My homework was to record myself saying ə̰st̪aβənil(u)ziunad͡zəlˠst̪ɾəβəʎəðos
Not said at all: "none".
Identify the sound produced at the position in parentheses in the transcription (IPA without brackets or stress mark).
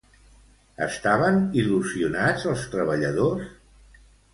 u